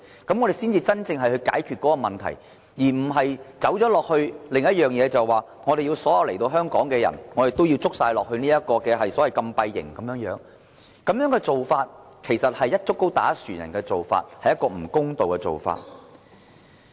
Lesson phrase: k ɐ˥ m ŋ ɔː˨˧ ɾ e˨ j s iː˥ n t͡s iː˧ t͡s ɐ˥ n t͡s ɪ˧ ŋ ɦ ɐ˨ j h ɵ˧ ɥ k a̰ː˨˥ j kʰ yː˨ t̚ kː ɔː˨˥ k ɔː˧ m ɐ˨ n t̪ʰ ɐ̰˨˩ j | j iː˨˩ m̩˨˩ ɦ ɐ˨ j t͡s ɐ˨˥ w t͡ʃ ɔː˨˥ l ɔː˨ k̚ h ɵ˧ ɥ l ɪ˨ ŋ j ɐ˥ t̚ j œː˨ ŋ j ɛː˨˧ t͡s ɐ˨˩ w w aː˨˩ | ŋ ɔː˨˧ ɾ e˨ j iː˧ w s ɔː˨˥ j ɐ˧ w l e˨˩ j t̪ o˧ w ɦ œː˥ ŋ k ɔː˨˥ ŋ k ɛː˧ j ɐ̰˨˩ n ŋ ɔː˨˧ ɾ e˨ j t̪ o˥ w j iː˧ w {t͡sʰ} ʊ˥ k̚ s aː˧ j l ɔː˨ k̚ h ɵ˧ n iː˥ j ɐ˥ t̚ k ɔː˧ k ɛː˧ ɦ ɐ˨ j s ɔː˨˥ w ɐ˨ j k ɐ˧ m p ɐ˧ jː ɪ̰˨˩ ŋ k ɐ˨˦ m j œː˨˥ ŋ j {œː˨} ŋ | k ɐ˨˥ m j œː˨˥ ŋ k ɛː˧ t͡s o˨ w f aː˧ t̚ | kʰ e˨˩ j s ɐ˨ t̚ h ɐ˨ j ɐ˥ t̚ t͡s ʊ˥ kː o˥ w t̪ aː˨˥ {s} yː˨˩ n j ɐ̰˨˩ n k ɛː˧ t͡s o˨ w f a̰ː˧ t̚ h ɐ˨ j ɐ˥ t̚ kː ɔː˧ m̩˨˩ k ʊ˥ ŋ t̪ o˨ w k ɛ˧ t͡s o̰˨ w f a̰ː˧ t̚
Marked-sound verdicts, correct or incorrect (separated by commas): incorrect, incorrect, correct